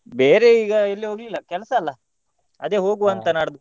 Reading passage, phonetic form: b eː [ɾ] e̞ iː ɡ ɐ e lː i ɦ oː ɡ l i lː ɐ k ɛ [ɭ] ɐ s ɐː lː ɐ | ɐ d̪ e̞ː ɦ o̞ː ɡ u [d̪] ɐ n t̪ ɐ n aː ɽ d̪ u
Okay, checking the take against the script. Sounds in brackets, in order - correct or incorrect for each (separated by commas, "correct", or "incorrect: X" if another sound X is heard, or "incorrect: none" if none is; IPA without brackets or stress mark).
correct, incorrect: l, incorrect: none